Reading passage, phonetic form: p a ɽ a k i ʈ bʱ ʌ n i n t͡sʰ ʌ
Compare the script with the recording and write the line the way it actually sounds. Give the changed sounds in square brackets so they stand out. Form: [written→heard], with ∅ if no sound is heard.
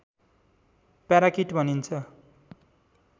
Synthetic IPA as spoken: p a [ɽ→ɾ] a k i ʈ bʱ ʌ n i n t͡sʰ ʌ